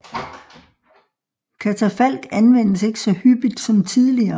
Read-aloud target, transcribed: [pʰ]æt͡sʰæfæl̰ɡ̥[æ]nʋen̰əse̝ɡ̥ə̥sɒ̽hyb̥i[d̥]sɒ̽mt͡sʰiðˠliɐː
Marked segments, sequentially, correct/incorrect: incorrect: kʰ, correct, correct

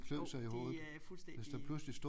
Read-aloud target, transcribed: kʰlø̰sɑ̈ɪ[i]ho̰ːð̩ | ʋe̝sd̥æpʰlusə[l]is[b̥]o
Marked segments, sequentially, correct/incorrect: correct, correct, incorrect: d̥

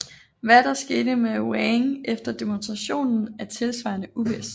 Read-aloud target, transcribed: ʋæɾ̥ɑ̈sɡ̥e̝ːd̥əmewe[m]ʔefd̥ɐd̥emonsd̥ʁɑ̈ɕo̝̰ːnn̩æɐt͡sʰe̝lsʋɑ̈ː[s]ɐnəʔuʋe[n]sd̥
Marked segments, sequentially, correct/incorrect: incorrect: ŋ, incorrect: none, incorrect: none

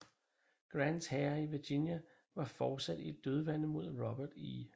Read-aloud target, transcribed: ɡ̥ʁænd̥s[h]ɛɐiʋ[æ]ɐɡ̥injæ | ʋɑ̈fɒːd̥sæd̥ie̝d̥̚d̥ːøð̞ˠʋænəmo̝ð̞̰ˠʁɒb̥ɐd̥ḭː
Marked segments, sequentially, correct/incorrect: correct, incorrect: i

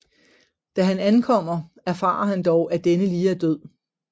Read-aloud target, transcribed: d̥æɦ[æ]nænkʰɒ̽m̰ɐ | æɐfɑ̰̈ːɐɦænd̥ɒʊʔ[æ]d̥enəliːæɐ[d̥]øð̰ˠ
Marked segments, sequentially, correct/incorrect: correct, correct, correct

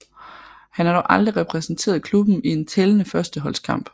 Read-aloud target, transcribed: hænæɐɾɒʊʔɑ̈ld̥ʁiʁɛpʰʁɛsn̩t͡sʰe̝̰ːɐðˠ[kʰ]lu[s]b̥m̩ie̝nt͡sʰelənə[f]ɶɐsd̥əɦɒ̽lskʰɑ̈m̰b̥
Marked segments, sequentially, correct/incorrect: correct, incorrect: none, correct

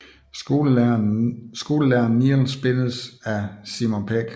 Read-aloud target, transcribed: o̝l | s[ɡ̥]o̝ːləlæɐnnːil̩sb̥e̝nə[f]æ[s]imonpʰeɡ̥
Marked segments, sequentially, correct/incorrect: correct, incorrect: s, correct

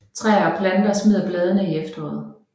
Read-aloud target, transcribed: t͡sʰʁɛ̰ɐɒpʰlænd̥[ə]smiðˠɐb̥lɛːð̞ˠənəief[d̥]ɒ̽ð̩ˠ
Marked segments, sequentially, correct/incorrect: incorrect: ɐ, correct

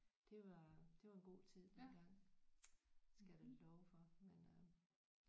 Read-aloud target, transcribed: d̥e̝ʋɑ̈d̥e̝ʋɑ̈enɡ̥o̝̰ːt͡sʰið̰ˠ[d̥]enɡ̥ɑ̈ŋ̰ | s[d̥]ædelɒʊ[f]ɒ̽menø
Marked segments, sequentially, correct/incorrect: correct, incorrect: ɡ̥, correct

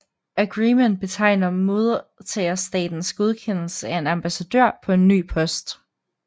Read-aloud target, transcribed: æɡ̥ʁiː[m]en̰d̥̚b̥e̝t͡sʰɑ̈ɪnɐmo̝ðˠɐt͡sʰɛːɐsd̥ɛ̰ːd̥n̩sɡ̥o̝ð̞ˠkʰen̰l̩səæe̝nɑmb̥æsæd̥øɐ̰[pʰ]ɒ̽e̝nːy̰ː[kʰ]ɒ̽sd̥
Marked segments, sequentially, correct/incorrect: correct, correct, incorrect: pʰ

